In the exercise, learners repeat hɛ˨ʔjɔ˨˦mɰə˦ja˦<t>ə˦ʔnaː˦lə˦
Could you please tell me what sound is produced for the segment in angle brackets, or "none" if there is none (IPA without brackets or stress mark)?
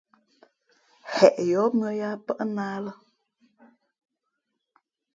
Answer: p